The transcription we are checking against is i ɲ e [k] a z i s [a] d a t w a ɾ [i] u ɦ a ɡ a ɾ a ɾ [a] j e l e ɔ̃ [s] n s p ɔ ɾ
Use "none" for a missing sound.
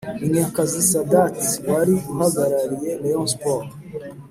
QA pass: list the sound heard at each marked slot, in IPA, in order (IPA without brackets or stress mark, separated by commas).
k, a, i, i, none